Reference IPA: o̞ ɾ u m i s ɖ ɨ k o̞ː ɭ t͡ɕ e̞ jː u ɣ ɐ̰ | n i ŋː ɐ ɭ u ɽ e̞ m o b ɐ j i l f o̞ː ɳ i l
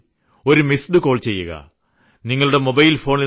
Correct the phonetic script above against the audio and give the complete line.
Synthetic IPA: o̞ ɾ u m i s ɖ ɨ k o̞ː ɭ t͡ɕ e̞ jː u ɣ ɐ̰ | n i ŋː ɐ ɭ u ɽ e̞ m o b ɐ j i l f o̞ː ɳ i l